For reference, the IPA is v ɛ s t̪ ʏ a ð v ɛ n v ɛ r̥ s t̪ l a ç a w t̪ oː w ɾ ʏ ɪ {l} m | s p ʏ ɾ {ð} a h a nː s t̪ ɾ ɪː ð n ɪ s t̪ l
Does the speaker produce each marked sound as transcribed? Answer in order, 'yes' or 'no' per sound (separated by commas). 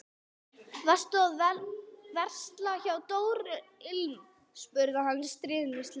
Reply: yes, yes